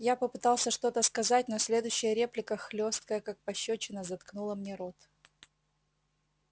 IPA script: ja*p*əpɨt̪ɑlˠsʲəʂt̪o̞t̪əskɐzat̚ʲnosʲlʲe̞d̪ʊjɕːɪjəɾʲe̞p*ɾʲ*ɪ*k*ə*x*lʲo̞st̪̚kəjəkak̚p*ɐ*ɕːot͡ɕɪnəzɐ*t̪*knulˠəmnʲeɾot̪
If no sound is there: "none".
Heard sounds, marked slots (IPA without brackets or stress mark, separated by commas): p, lʲ, k, x, ɐ, t̪